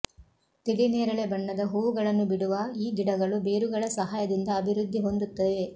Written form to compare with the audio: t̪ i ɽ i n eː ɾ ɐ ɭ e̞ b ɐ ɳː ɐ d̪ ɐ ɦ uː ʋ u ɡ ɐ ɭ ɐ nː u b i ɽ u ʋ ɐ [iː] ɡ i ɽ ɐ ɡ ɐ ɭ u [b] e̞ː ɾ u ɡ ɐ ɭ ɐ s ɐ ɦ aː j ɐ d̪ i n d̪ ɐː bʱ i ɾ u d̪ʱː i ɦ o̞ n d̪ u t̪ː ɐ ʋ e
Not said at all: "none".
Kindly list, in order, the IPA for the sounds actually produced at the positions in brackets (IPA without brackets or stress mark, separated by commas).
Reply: iː, b